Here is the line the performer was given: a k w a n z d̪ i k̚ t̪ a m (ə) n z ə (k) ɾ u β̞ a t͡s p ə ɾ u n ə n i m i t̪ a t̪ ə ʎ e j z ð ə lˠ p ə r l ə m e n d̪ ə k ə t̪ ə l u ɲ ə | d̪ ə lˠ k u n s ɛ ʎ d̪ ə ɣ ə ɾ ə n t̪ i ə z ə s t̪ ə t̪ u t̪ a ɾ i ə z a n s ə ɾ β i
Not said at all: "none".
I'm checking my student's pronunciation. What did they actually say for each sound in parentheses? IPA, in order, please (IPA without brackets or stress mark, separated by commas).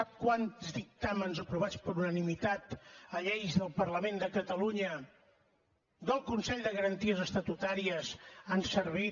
ə, p